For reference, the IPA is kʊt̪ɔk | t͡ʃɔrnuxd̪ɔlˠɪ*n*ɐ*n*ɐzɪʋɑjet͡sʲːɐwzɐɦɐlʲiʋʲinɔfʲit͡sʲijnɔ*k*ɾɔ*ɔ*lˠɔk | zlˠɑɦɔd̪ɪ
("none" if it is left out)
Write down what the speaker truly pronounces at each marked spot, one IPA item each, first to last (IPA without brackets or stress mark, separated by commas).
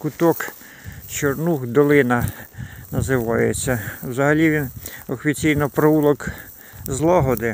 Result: n, n, p, u